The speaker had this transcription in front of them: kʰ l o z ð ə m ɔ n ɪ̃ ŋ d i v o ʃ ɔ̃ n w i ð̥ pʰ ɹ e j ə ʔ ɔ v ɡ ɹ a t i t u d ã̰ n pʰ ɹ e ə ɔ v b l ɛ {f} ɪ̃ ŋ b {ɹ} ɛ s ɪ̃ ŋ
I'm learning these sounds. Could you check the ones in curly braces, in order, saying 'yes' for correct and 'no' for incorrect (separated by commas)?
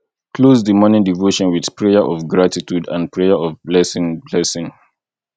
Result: no, no